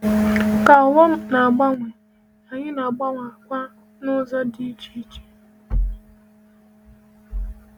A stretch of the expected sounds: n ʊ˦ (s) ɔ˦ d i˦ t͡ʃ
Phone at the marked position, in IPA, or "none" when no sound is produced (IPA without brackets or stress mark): z